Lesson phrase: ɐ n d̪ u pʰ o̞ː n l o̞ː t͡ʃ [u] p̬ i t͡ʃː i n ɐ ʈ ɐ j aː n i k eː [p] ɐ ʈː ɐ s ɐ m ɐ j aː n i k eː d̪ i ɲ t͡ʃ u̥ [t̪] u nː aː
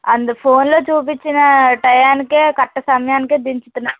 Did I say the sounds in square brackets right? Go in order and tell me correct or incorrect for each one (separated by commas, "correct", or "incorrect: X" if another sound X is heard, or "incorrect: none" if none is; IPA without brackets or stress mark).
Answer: incorrect: uː, incorrect: k, correct